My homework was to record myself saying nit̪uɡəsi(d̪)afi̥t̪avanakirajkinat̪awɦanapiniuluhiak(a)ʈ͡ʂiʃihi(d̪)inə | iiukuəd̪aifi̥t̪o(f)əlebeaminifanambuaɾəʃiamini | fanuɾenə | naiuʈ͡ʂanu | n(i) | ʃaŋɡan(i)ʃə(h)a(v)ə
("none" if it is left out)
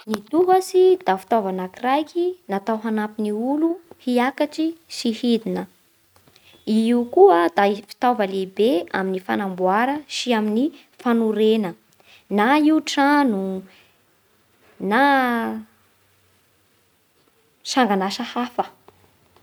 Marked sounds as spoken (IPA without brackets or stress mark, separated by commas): d̪, a, d̪, v, a, a, h, f